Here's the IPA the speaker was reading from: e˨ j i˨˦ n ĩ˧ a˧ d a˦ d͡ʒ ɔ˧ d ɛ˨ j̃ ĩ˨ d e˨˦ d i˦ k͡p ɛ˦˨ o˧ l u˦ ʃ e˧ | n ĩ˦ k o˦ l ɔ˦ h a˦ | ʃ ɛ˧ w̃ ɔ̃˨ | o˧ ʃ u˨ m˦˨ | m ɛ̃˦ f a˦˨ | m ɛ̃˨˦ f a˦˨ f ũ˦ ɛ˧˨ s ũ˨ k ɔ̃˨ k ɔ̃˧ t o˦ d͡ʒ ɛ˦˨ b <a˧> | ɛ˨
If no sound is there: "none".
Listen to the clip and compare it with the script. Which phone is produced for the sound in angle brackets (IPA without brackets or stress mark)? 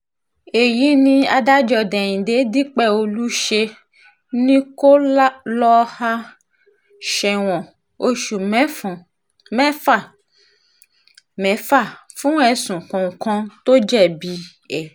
i˧